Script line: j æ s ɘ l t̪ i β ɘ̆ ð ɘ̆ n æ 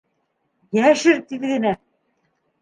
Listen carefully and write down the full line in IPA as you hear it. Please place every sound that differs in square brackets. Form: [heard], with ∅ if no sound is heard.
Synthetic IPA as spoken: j æ [ʃ] ɘ [ɾ] t̪ i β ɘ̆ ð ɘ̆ n æ